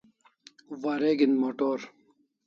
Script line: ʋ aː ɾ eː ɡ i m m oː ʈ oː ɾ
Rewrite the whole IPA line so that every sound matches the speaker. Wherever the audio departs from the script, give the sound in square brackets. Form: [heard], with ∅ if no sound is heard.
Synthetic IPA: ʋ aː ɾ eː ɡ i [n] m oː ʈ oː ɾ